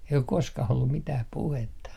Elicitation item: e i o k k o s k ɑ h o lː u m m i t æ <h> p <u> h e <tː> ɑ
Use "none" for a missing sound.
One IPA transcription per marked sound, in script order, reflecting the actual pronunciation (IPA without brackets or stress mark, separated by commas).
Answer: h, u, tː